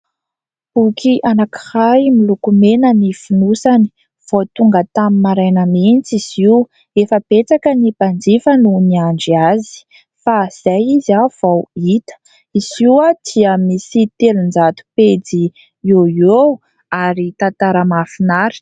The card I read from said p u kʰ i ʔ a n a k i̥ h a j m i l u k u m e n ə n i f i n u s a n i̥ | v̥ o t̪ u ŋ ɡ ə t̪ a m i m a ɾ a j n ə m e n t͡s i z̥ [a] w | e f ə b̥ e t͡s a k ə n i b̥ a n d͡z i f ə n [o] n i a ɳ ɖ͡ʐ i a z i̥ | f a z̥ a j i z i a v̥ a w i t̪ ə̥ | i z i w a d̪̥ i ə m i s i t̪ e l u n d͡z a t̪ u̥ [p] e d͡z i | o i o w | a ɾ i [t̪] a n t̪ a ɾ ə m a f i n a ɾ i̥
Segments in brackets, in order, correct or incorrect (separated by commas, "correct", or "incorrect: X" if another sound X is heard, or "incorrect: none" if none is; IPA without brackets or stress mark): incorrect: i, incorrect: u, correct, correct